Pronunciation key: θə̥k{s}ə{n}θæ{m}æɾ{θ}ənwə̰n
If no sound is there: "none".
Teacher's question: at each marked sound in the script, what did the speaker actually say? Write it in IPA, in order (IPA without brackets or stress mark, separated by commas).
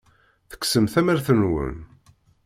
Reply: s, m, m, θ